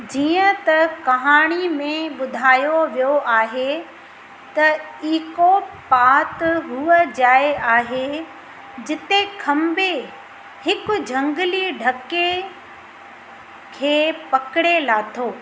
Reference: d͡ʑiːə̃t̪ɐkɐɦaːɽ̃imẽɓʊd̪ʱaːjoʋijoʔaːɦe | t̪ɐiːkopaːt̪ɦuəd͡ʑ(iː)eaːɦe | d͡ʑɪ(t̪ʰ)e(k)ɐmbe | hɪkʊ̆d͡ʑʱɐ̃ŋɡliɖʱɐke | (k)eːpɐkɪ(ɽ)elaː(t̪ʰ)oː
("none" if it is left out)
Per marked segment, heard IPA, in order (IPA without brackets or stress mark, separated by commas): aː, t̪, kʰ, kʰ, ɽ, t̪ʰ